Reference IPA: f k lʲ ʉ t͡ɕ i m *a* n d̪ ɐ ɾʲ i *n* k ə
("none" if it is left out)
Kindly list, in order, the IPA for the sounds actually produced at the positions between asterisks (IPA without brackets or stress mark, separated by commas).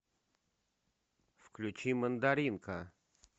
ə, n